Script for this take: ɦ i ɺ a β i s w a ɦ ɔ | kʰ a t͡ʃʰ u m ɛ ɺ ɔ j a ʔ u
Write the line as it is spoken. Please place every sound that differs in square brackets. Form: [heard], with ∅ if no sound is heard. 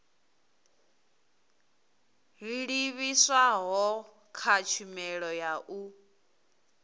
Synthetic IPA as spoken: ɦ i ɺ [i] β i s w a ɦ ɔ | kʰ a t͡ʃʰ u m ɛ ɺ ɔ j a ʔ u